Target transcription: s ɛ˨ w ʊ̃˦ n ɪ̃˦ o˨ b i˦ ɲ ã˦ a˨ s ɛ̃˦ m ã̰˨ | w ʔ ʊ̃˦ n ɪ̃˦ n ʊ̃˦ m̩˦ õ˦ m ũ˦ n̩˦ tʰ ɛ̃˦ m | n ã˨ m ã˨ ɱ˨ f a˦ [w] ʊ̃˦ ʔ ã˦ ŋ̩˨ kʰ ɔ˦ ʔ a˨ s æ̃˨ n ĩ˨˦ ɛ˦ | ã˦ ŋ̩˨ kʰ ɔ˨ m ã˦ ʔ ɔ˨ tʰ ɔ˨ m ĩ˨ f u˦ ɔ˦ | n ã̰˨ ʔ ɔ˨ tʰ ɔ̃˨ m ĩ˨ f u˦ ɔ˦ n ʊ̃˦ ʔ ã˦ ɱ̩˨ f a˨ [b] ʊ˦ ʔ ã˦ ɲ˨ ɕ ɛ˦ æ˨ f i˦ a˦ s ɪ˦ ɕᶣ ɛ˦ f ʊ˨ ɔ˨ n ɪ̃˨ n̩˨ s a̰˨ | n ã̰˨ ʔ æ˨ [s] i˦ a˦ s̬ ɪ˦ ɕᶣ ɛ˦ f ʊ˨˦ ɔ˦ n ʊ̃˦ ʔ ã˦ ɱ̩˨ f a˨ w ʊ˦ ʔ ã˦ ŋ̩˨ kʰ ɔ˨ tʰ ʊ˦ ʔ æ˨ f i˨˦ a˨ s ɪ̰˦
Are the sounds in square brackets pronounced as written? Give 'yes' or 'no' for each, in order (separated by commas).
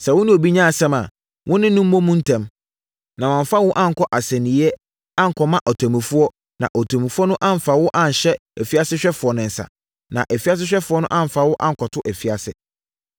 yes, no, no